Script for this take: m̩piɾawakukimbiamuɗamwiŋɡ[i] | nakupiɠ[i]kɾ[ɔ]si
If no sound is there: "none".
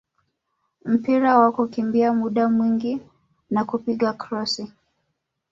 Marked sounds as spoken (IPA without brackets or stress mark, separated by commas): i, a, ɔ